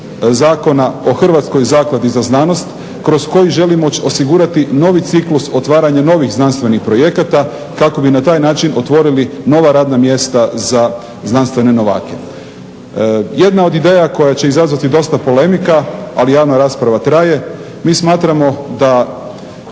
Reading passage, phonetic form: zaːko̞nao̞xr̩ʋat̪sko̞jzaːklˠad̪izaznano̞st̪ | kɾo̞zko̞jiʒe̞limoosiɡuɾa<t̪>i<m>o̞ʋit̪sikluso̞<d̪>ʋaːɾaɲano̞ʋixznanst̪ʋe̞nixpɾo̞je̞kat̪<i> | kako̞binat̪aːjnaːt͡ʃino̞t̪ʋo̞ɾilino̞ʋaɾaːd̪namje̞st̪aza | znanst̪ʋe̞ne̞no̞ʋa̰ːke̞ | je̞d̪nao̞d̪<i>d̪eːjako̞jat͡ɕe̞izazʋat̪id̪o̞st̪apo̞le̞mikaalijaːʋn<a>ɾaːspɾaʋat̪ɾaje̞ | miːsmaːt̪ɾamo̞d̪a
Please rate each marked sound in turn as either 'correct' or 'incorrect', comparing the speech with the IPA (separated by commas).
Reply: correct, incorrect, incorrect, incorrect, correct, correct